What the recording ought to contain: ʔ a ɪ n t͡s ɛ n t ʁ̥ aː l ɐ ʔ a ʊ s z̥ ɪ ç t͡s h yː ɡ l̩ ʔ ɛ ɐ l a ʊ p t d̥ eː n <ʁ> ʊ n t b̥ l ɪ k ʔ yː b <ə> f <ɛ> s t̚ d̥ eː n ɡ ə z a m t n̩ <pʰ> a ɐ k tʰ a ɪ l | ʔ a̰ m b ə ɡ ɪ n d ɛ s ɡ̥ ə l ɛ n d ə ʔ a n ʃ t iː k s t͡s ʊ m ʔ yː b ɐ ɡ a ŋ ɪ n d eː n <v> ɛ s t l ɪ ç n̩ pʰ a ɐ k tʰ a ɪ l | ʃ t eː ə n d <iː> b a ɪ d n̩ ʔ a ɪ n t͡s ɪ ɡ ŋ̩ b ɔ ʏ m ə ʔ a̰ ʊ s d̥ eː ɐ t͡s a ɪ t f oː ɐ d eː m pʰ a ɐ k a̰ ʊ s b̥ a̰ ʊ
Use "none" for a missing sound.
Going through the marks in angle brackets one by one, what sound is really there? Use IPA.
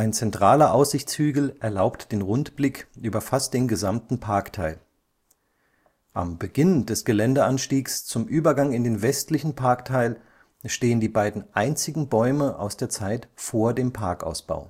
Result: ʁ, ɐ, a, pʰ, v, iː

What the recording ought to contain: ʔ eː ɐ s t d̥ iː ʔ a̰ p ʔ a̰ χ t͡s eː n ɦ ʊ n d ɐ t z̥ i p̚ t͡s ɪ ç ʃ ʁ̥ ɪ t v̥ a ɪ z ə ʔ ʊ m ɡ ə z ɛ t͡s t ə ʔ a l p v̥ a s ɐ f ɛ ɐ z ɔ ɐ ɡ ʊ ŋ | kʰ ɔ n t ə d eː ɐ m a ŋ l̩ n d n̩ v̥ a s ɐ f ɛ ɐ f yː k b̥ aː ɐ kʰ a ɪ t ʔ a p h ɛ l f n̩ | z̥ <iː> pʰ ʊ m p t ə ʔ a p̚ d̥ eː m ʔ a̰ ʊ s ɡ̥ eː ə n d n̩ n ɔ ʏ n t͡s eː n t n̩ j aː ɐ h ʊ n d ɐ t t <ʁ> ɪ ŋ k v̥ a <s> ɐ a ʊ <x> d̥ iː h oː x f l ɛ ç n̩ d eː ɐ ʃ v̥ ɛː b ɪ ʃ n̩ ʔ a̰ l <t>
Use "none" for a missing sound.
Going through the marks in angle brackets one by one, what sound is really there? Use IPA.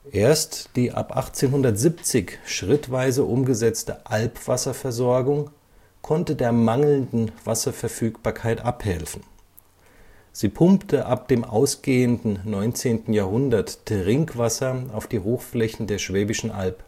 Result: iː, ʁ, s, f, p

